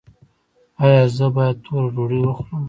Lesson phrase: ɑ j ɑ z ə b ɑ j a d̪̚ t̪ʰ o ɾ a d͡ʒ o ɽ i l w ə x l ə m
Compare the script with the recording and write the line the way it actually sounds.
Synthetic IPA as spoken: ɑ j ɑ z ə b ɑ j a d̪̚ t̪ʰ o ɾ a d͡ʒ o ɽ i w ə x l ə m